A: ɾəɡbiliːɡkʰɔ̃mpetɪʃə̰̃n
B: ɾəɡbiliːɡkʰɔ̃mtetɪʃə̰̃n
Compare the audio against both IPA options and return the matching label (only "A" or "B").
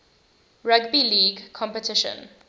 A